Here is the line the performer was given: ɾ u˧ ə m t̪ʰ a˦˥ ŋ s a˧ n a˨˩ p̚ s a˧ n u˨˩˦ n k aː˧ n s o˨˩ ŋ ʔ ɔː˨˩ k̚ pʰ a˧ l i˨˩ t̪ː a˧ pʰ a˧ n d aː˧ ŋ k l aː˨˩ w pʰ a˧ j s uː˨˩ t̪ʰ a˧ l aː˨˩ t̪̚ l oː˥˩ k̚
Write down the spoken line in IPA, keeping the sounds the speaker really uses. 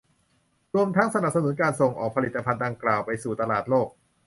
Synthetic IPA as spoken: ɾ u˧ ə m t̪ʰ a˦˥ ŋ s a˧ n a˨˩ p̚ s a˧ n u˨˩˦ n k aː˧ n s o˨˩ ŋ ʔ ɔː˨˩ k̚ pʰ a˧ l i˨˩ t̪ː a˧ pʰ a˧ n d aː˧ ŋ k l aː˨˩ w p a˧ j s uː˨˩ t̪ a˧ l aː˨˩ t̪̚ l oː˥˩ k̚